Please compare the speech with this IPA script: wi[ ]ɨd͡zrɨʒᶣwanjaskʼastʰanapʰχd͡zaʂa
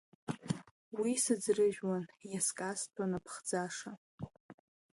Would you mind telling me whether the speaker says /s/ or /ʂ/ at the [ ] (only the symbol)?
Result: s